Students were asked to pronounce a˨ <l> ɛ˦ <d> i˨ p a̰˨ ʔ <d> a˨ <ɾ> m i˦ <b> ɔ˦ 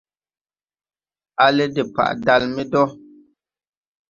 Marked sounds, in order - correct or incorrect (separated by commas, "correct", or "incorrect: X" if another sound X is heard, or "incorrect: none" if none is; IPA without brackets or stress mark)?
correct, correct, correct, incorrect: l, incorrect: d